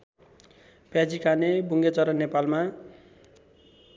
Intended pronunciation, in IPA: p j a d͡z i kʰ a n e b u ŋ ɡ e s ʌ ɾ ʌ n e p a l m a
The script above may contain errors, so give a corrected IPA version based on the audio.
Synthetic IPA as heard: p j a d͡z i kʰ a n e b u ŋ ɡ e t͡s ʌ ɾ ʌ n e p a l m a